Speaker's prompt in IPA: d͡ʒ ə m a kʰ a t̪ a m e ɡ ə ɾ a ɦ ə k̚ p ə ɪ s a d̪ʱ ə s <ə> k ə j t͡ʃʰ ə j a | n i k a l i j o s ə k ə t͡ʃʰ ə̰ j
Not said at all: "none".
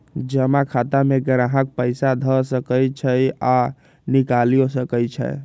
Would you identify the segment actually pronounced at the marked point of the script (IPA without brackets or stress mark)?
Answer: ə